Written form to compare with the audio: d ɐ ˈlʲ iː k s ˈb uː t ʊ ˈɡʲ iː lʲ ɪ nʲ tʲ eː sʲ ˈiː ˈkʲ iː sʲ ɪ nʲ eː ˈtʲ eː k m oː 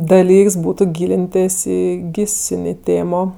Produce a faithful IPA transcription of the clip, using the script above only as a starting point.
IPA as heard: d ɐ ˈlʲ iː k s ˈb uː t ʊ ˈɡʲ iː lʲ ɪ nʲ tʲ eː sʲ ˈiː ˈɡʲ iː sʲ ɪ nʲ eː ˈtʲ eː m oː

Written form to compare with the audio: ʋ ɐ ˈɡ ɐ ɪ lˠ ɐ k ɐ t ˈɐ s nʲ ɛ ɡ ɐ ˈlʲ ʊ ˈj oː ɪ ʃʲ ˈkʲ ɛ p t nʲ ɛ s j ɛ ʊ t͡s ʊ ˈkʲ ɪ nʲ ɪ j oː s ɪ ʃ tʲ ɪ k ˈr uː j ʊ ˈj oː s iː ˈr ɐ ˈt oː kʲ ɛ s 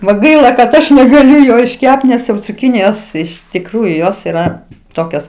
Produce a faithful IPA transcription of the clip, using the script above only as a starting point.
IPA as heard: ʋ ɐ ˈɡ ɐ ɪ lˠ ɐ k ɐ t ˈɐ ʃ nʲ ɛ ɡ ɐ ˈlʲ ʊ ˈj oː ɪ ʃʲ ˈkʲ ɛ p t nʲ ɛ s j ɛ ʊ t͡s ʊ ˈkʲ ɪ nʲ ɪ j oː s ɪ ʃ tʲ ɪ k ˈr uː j ʊ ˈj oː s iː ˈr ɐ ˈt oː kʲ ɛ s

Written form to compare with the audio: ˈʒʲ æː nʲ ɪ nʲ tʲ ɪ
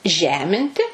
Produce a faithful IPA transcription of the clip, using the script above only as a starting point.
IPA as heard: ˈʒʲ æː mʲ ɪ nʲ tʲ ɪ

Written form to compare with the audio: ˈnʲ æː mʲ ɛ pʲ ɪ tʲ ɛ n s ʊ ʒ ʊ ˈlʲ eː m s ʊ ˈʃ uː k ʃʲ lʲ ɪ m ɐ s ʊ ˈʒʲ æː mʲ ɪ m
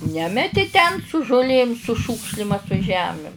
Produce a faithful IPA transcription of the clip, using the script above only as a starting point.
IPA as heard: ˈnʲ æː mʲ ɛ tʲ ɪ tʲ ɛ n s ʊ ʒ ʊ ˈlʲ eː m s ʊ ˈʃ uː k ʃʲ lʲ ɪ m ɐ s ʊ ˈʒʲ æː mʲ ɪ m

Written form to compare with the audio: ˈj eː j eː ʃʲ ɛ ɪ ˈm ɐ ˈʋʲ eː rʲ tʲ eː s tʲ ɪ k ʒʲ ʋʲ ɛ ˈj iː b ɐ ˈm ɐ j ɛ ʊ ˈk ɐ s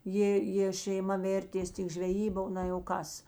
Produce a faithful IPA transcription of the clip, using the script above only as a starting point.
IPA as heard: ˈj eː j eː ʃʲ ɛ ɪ ˈm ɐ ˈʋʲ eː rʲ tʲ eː s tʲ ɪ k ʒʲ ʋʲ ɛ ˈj iː b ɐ ˈn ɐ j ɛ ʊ ˈk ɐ s

